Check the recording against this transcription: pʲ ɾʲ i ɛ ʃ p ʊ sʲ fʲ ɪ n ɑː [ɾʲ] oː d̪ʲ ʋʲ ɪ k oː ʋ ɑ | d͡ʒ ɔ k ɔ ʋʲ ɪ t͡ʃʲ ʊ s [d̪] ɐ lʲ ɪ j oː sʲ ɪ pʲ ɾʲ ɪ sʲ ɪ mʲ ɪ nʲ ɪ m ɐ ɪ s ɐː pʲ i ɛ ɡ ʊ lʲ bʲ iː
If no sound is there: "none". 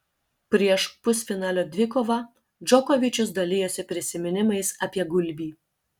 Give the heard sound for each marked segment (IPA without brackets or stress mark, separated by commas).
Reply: lʲ, d̪